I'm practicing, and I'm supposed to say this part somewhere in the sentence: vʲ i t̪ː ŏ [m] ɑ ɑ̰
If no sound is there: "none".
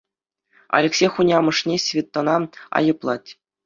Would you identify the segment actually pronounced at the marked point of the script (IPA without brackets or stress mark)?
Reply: n